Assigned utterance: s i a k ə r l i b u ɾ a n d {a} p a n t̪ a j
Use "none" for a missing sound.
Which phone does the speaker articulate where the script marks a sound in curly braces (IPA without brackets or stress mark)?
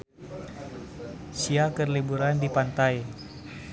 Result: i